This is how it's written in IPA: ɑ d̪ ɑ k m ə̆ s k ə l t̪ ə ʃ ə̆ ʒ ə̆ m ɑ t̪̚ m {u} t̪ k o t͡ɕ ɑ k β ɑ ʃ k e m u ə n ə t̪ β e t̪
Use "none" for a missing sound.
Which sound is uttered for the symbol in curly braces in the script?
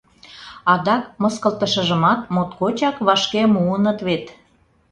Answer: o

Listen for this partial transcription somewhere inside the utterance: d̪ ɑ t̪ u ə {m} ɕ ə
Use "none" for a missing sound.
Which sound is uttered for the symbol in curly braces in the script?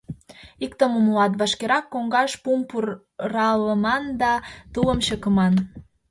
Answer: m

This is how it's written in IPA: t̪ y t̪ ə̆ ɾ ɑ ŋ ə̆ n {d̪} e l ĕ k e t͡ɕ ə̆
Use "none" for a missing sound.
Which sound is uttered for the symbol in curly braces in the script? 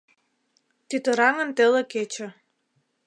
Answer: t̪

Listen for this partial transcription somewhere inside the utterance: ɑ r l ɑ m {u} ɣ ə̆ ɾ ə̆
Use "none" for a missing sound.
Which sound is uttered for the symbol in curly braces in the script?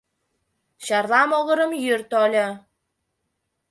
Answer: o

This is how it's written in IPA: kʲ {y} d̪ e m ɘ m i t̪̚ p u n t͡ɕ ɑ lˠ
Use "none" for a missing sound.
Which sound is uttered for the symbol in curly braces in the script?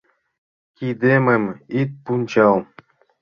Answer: i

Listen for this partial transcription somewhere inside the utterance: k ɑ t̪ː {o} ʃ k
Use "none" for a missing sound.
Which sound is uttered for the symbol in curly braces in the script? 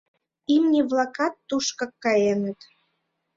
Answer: u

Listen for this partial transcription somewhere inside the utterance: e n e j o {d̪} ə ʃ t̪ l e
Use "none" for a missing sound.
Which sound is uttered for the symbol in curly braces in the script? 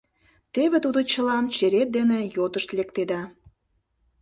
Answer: t̪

